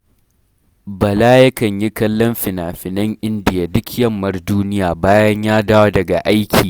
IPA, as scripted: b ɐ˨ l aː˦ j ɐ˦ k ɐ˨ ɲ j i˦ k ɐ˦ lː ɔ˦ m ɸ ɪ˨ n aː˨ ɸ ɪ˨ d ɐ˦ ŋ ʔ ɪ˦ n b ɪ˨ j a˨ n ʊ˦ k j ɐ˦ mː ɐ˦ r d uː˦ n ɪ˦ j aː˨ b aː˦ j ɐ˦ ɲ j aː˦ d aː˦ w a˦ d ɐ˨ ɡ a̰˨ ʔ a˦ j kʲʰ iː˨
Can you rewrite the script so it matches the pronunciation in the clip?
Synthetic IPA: b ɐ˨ l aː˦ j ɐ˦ k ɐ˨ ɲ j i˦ k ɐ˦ lː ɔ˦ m ɸ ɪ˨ n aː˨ ɸ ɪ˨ n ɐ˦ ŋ ʔ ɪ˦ n d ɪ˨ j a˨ d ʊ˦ k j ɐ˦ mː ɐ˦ r d uː˦ n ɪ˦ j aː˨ b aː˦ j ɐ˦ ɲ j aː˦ d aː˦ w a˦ d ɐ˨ ɡ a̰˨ ʔ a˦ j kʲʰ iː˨